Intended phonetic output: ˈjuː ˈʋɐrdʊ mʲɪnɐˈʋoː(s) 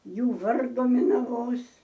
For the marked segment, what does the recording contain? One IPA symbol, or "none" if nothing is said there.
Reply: s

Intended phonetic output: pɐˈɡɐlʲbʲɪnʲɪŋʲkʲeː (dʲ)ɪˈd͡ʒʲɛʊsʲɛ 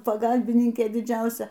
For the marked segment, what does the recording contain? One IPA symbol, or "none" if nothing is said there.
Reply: dʲ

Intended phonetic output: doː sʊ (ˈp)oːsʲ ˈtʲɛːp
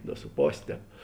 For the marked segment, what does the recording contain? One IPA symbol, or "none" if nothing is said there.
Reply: p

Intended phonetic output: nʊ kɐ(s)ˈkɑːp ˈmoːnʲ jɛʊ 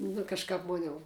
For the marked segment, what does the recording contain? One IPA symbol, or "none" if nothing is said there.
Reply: ʃ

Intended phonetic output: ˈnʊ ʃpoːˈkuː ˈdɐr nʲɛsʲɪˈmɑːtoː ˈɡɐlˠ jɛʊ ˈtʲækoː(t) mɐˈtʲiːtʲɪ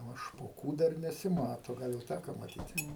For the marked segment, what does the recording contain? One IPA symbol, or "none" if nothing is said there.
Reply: none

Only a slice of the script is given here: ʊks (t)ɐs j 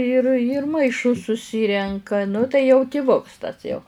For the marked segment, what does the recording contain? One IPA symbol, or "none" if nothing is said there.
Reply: t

